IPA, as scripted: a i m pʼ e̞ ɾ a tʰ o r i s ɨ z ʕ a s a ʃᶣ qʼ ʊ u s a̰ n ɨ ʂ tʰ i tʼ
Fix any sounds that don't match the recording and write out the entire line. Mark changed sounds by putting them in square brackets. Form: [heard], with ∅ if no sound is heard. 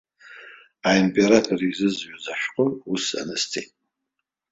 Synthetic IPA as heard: a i m pʼ e̞ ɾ a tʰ o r i [z] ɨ z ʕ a [z] a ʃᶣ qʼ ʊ u s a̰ n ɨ [s] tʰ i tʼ